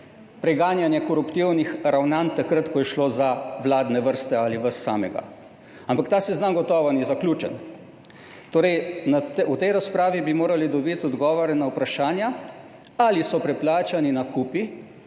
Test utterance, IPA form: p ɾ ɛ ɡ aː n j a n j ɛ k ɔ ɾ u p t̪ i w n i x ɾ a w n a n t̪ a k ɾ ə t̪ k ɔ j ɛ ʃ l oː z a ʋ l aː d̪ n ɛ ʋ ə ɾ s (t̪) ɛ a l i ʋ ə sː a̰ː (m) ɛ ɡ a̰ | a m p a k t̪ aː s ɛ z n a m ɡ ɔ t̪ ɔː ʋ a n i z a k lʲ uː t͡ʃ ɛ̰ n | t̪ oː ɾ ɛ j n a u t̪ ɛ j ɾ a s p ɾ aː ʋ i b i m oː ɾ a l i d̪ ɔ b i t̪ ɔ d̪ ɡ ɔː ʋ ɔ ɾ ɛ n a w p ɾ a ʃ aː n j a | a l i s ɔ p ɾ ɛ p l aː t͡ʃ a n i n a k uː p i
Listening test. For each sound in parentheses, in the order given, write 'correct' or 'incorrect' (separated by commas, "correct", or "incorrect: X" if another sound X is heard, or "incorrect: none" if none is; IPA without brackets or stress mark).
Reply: correct, correct